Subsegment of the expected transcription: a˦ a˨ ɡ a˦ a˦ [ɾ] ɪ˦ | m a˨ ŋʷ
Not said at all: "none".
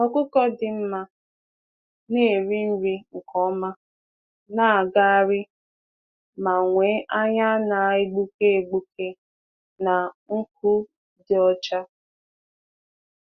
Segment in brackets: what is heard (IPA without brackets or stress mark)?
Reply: ɾ